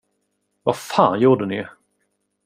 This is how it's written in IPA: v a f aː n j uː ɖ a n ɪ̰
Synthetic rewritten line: v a f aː n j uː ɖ ə n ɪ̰